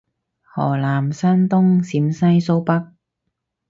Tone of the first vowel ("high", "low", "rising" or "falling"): low